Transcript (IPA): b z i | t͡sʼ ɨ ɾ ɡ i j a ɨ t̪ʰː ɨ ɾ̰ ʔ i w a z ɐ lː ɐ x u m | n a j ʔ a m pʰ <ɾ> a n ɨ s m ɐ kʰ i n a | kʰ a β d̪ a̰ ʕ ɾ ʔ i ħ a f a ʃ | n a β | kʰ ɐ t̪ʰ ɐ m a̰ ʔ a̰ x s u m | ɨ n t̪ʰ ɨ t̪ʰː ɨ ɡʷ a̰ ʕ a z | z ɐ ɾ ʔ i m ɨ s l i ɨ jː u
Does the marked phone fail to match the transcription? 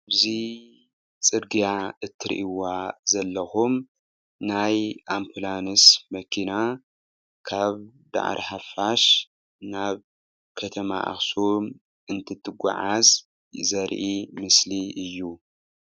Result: yes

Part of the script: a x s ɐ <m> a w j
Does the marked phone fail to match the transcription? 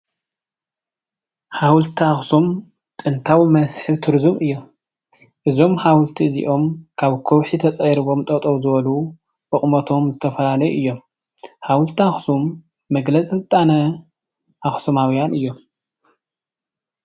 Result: no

